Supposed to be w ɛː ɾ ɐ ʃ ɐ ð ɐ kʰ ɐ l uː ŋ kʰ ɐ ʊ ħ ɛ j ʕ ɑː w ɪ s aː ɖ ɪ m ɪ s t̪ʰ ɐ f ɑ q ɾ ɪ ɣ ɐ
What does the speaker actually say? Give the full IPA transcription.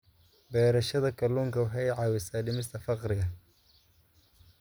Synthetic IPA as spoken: b ɛː ɾ ɐ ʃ ɐ ð ɐ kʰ ɐ l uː ŋ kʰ ɐ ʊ ħ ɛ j ʕ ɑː w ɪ s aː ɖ ɪ m ɪ s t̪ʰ ɐ f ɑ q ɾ ɪ ɣ ɐ